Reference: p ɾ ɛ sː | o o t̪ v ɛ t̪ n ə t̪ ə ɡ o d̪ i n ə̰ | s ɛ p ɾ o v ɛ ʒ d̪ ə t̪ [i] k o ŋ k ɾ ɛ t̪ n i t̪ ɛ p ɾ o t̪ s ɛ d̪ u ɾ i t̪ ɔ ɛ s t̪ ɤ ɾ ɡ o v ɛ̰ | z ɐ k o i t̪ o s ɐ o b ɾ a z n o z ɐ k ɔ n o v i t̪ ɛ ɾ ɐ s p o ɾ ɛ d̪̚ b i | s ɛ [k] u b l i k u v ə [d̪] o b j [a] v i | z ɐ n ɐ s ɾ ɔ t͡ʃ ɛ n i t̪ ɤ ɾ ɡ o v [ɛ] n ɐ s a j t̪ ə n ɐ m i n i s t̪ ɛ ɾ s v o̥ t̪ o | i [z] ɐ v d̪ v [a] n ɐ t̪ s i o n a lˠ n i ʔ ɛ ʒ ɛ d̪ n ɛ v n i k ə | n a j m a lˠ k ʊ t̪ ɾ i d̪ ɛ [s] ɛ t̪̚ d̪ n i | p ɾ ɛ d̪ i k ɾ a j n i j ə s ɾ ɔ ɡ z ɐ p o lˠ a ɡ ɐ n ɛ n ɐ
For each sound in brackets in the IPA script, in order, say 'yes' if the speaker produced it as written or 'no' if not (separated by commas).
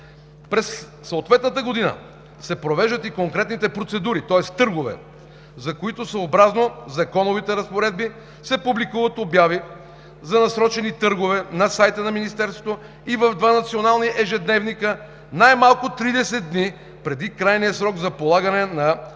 yes, no, no, yes, yes, no, yes, yes